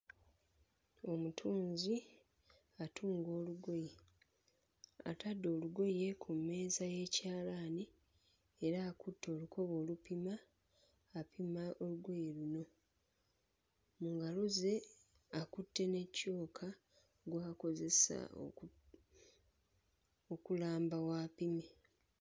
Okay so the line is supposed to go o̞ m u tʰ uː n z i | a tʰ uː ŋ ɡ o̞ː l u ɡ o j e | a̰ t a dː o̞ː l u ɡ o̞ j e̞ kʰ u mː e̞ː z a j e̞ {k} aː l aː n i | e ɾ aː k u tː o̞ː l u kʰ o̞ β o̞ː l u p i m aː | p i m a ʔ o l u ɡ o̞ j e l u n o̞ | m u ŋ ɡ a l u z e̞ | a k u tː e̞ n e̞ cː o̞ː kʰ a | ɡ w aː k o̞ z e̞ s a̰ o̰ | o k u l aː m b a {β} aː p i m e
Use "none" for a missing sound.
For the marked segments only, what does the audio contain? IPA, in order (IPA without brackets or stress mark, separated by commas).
c, w